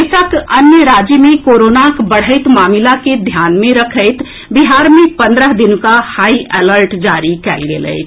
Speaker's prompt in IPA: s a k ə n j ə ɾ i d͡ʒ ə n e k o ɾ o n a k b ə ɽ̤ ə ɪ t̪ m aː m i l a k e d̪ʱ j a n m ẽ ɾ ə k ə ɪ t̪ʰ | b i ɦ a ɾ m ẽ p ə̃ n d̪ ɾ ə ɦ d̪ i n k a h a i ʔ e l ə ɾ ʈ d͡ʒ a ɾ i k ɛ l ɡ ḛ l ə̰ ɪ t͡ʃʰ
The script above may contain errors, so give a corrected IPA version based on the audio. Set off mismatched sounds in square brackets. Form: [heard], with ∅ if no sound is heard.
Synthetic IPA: s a k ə n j ə ɾ [a] d͡ʒ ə [m] e k o ɾ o n a k b ə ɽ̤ ə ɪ t̪ m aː m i l a k e d̪ʱ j a n m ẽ ɾ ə [kʰ] ə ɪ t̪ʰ | b i ɦ a ɾ m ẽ p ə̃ n d̪ ɾ ə ɦ d̪ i n k a h a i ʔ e l ə ɾ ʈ d͡ʒ a ɾ i k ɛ l ɡ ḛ l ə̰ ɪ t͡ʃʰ